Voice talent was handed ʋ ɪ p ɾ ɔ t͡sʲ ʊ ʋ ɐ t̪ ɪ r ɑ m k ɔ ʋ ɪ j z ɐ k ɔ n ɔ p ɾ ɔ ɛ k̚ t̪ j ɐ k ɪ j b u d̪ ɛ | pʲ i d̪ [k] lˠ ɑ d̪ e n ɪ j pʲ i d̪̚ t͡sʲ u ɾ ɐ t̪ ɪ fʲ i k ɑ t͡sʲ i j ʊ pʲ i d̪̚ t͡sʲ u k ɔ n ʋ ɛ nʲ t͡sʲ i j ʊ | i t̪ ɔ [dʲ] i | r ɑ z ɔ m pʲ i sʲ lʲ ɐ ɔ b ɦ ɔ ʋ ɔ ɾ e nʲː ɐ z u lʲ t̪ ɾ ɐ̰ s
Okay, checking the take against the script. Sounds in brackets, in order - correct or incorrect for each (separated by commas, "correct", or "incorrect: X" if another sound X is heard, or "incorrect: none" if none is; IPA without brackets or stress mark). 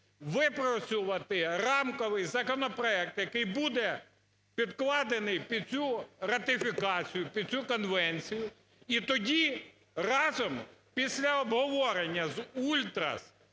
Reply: correct, correct